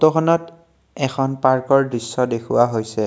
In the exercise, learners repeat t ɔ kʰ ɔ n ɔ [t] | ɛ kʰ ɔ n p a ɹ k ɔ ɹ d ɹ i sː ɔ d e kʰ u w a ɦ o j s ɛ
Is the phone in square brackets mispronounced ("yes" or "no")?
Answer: no